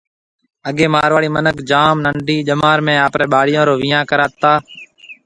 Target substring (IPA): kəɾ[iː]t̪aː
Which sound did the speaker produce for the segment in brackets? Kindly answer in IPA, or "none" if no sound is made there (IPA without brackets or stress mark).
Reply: aː